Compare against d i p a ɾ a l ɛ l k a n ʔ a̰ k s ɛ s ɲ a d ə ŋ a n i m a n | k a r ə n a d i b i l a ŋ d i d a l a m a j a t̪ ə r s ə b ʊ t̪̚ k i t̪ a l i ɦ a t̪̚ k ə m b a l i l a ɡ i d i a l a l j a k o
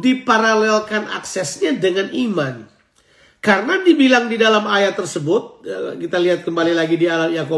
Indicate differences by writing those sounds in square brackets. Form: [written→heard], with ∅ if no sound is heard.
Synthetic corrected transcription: d i p a ɾ a l ɛ l k a n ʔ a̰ k s ɛ s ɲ a d ə ŋ a n i m a n | k a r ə n a d i b i l a ŋ d i d a l a m a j a t̪ ə r s ə b ʊ t̪̚ k i t̪ a l i ɦ a t̪̚ k ə m b a l i l a ɡ i d i a l a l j a k o